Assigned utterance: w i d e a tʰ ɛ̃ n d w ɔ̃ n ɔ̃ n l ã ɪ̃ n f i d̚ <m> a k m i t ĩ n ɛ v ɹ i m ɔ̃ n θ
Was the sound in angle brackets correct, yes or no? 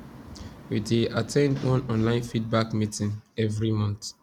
no